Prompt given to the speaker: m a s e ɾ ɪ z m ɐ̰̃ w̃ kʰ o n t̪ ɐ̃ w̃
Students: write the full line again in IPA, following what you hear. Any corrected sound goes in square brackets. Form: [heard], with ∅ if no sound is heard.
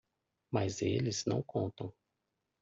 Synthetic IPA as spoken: m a [z] e [l] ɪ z [n] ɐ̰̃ w̃ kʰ [õ] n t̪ ɐ̃ w̃